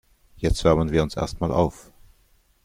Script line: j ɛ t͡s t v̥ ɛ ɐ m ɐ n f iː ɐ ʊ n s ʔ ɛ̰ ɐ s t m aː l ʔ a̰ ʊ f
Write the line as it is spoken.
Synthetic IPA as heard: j ɛ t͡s t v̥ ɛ ɐ m ə n v iː ɐ ʊ n s ʔ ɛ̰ ɐ s t m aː l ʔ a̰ ʊ f

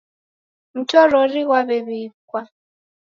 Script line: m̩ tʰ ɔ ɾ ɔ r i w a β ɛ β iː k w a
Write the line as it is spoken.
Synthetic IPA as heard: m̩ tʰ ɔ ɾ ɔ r i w a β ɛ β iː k w a

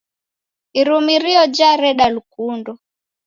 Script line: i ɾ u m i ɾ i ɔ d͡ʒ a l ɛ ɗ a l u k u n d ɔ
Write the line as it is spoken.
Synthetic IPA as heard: i ɾ u m i ɾ i ɔ d͡ʒ a ɾ ɛ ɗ a l u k u n d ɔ

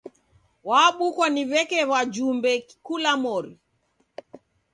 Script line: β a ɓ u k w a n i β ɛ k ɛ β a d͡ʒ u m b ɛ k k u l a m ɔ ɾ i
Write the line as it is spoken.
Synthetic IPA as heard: w a ɓ u k w a n i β ɛ k ɛ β a d͡ʒ u m b ɛ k k u l a m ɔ ɾ i

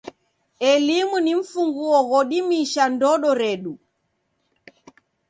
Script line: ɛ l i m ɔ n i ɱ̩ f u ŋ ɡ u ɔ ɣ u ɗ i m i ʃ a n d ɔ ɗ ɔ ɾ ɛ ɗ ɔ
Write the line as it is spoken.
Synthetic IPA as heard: ɛ l i m u n i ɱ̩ f u ŋ ɡ u ɔ ɣ ɔ ɗ i m i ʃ a n d ɔ ɗ ɔ ɾ ɛ ɗ u

